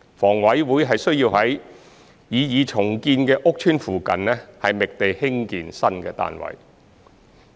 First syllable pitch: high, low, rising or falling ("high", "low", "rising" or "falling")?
low